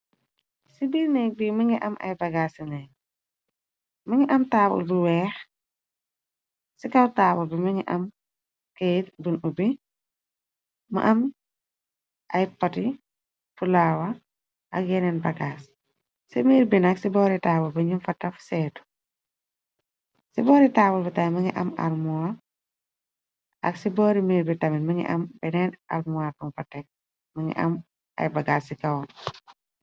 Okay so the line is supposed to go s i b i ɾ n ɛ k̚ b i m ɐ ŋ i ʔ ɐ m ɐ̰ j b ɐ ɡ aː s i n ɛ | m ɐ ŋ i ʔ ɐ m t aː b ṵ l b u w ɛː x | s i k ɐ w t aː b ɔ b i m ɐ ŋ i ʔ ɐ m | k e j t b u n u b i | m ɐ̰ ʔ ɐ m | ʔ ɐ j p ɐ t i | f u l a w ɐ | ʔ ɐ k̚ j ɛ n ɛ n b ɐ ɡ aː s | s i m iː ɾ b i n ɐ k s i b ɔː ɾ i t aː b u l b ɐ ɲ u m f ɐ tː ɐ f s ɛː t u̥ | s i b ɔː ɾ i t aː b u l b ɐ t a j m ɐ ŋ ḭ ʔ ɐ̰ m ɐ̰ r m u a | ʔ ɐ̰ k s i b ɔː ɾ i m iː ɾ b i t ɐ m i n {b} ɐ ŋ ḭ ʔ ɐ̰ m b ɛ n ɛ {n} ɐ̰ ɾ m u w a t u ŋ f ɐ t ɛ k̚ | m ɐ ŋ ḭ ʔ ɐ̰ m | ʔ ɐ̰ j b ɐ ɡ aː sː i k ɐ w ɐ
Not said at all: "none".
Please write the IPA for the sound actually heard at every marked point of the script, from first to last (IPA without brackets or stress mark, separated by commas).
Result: m, n